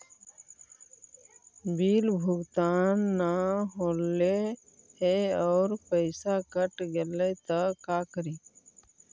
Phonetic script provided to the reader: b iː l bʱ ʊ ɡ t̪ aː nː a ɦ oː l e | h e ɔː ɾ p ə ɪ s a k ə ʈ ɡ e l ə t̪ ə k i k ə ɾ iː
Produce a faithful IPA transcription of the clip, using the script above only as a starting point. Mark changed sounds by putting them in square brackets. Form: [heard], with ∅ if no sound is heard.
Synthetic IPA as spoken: b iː l bʱ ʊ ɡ t̪ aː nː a ɦ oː l e | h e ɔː ɾ p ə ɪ s a k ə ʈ ɡ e l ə t̪ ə k [a] k ə ɾ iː